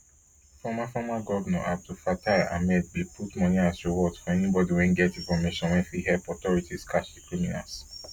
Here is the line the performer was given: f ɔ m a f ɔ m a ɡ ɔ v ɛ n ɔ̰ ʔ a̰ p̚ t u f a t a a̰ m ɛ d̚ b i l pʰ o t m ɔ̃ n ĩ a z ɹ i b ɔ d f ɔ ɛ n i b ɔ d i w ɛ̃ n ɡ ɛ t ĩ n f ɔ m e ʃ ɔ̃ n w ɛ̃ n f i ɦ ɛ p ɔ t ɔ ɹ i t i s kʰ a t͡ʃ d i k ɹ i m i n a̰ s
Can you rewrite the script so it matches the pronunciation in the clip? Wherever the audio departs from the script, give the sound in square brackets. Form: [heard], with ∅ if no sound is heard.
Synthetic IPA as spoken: f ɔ m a f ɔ m a ɡ ɔ v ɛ n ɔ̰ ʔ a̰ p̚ t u f a t a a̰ m ɛ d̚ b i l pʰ [u] t m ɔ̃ n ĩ a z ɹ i [w] ɔ d f ɔ ɛ n i b ɔ d i w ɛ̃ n ɡ ɛ t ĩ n f ɔ m e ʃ ɔ̃ n w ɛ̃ n f i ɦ ɛ p ɔ t ɔ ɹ i t i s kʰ a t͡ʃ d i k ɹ i m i n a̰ s